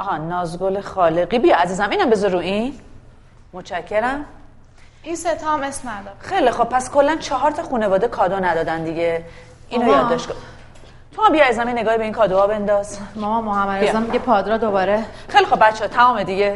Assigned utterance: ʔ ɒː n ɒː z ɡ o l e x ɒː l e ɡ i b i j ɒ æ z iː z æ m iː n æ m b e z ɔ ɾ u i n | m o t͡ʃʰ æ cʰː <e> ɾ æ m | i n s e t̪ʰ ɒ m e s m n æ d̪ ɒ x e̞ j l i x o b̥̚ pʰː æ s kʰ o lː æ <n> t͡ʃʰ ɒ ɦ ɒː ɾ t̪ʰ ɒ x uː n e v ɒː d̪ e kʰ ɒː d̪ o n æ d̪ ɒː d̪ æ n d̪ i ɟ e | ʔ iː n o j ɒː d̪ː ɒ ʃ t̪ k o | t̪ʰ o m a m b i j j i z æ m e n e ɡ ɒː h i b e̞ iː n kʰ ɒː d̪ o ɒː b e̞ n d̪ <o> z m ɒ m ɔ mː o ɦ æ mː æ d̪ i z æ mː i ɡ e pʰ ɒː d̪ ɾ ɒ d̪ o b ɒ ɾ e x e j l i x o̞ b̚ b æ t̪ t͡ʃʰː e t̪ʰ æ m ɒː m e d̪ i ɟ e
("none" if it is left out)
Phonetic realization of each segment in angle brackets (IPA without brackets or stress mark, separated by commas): e, n, ɒ